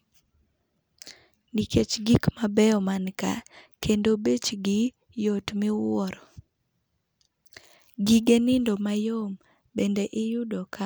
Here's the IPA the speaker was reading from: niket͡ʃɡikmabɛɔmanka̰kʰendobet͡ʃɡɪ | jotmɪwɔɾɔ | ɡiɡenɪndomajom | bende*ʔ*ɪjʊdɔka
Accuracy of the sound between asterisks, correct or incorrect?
correct